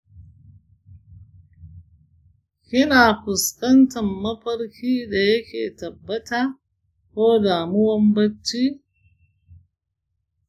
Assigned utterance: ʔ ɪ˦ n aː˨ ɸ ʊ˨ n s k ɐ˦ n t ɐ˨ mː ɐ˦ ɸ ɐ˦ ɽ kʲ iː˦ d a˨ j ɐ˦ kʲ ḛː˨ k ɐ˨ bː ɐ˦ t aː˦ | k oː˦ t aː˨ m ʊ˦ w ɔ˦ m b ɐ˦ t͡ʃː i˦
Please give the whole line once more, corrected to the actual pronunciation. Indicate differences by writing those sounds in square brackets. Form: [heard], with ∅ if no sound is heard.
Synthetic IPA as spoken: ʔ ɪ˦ n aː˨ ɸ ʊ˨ [∅] s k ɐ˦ n t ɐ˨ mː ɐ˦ ɸ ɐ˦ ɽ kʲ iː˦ d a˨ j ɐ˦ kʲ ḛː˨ [t] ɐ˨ bː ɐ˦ t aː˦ | k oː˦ [d] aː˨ m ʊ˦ w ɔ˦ m b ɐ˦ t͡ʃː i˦